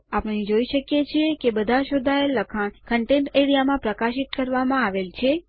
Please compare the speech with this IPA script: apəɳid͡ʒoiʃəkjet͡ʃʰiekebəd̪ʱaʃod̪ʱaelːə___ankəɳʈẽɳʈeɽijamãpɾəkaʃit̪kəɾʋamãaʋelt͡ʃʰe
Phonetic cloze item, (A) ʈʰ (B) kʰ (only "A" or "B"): B